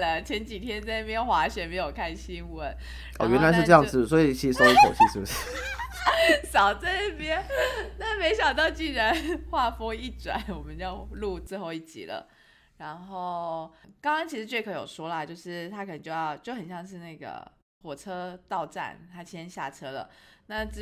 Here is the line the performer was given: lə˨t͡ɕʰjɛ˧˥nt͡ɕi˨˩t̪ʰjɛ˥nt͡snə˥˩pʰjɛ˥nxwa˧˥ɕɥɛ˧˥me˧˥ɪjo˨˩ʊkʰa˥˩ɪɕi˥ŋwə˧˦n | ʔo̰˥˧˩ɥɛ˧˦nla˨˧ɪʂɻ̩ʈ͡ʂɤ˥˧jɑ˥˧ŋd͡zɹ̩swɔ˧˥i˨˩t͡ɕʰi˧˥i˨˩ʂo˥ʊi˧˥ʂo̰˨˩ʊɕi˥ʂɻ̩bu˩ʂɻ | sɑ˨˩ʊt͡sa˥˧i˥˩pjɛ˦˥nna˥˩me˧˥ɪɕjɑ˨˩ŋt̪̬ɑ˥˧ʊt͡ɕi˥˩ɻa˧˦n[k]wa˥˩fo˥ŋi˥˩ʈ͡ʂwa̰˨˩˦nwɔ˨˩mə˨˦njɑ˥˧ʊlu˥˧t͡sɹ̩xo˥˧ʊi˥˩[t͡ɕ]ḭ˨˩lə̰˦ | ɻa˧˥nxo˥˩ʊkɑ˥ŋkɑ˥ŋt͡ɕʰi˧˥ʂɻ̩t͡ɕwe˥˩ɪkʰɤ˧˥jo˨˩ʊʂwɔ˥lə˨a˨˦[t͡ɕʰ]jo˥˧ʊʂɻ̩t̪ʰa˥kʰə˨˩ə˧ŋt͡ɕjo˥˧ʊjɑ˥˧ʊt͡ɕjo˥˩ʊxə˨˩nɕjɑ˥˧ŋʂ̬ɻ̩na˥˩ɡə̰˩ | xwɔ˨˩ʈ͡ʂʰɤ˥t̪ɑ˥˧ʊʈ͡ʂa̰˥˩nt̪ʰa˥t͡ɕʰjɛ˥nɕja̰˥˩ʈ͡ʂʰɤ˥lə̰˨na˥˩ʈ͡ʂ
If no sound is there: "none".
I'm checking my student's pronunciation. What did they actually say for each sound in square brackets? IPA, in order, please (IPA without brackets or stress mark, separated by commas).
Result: x, t͡ɕ, t͡ɕ